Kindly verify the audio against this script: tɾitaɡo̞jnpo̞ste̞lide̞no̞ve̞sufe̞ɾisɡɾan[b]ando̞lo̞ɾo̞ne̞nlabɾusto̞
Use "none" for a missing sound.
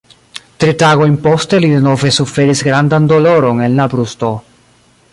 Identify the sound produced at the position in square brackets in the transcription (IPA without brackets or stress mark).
d